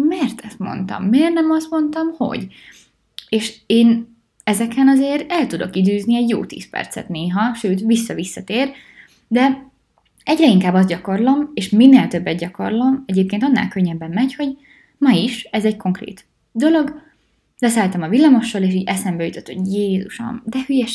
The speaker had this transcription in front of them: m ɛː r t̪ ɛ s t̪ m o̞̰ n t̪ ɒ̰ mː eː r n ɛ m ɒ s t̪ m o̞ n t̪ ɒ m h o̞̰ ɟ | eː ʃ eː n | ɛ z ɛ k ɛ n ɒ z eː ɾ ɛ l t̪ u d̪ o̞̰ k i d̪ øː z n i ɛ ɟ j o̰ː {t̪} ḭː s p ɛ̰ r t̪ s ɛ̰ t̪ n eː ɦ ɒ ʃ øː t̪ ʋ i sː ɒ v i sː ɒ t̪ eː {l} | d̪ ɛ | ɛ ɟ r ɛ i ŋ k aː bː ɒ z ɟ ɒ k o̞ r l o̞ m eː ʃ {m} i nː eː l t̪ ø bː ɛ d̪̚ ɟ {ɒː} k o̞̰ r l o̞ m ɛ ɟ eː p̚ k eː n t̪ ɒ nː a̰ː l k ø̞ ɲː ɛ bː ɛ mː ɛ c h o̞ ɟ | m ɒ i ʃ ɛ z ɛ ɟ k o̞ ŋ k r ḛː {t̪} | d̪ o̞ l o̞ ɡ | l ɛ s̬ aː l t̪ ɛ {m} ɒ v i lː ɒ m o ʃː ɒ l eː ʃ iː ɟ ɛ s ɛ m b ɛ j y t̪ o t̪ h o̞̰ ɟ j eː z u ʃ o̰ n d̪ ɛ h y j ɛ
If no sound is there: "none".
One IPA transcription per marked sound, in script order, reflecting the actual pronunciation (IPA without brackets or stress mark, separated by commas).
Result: t̪, r, m, ɒ, t̪, m